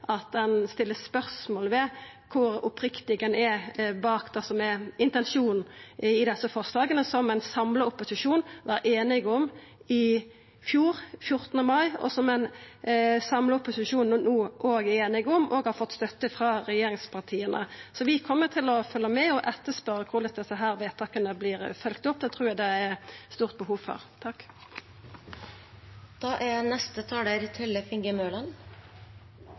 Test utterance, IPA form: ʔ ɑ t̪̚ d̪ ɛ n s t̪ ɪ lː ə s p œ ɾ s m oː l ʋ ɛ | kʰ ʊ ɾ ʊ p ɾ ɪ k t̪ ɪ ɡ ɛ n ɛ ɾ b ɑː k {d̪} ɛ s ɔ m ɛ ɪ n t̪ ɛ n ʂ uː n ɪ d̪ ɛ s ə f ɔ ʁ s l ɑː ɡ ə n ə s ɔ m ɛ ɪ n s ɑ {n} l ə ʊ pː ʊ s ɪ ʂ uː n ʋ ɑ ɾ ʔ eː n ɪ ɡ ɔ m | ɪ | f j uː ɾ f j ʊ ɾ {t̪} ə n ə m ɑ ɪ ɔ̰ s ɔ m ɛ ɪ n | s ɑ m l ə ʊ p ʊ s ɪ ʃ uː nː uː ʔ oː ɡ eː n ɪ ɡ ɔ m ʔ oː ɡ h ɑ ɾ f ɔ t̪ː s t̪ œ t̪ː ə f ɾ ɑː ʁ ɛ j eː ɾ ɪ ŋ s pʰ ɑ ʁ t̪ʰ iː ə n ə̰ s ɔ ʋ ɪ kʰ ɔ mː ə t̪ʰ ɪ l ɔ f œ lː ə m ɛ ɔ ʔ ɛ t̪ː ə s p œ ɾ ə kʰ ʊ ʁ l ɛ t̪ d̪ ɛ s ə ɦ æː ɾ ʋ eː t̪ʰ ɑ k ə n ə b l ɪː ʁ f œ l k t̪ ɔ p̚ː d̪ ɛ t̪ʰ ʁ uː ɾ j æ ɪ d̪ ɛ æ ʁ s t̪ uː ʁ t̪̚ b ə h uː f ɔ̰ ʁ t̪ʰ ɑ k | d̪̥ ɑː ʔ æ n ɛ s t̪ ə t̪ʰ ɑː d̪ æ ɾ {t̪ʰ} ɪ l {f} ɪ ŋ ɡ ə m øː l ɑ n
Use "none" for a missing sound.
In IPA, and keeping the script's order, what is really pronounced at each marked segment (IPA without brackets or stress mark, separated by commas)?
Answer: d̪, m, t̪, t̪ʰ, f